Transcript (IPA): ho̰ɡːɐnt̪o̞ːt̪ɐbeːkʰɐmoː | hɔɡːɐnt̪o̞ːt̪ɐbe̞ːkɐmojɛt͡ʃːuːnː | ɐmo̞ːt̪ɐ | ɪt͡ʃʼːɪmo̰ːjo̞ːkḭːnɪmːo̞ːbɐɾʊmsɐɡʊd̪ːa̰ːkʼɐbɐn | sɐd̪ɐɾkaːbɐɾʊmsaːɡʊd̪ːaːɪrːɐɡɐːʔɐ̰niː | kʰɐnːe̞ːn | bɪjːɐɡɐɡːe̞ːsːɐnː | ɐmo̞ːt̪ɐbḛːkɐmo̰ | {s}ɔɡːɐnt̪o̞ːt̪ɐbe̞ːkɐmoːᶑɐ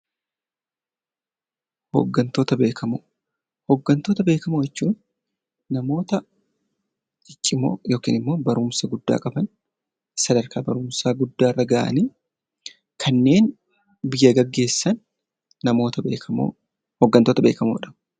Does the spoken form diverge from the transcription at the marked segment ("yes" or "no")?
yes